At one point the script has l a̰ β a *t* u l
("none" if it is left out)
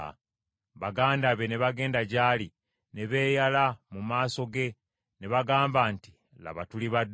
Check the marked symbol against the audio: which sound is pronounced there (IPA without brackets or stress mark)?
t